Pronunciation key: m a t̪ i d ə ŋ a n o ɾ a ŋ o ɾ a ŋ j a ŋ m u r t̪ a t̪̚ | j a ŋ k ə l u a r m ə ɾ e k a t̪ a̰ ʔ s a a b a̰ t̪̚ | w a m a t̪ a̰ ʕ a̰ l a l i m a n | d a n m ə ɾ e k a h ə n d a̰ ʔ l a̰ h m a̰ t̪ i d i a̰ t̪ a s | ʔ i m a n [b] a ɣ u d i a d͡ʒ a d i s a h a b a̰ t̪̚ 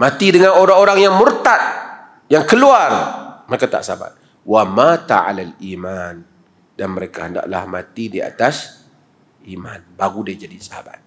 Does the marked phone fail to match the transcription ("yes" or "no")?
no